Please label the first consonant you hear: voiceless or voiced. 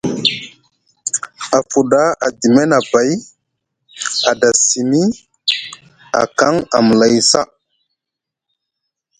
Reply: voiceless